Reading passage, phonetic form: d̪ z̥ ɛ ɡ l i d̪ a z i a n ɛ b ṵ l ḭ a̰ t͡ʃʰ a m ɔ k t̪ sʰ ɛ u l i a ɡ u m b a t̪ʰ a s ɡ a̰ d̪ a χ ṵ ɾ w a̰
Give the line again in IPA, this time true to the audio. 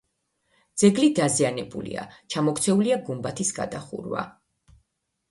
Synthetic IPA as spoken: d̪ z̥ ɛ ɡ l i d̪ a z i a n ɛ b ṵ l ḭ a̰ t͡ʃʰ a m ɔ k t̪ sʰ ɛ u l i a ɡ u m b a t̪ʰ i s ɡ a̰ d̪ a χ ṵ ɾ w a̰